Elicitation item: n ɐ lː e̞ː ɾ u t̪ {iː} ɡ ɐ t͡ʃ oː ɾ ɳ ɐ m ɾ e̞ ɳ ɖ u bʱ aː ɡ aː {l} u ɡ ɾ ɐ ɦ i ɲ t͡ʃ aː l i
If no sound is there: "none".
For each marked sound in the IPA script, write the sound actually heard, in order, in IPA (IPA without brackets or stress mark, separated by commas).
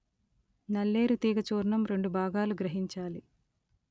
iː, l